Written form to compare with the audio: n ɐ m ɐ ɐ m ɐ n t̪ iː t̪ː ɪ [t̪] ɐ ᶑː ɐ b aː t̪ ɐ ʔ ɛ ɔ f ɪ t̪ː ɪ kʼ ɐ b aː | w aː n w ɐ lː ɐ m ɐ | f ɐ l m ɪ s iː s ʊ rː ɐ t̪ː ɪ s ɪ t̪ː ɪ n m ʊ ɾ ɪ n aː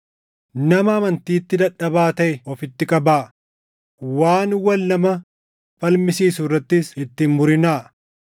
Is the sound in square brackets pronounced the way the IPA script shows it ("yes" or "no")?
no